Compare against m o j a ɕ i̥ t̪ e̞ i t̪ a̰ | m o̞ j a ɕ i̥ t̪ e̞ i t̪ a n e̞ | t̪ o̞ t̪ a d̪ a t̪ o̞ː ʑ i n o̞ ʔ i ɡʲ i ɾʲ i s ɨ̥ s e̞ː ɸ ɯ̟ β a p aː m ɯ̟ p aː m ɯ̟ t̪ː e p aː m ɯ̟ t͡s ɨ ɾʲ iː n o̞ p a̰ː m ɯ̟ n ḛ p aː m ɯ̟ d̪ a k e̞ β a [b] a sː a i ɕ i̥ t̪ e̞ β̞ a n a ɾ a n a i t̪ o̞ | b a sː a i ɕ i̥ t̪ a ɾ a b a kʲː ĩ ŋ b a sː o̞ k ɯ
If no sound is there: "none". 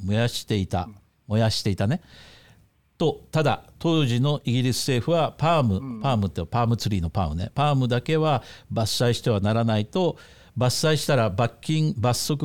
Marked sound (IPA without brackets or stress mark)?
b